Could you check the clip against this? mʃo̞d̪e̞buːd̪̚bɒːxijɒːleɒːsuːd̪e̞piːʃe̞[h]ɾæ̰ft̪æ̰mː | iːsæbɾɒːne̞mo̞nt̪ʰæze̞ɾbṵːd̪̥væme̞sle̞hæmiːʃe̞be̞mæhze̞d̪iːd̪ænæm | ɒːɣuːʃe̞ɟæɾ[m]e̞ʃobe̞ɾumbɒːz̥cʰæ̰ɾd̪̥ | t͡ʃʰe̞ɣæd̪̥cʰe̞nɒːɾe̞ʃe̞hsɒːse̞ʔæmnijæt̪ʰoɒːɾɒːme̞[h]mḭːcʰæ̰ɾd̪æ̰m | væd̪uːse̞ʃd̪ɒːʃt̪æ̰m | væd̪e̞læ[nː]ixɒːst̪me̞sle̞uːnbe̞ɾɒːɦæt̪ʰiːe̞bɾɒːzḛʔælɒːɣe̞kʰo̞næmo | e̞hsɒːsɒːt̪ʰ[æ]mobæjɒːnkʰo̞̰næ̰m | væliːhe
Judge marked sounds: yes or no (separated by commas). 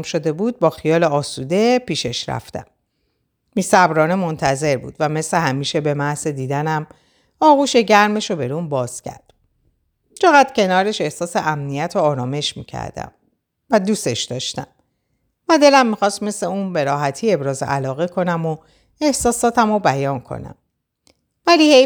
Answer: no, yes, no, no, yes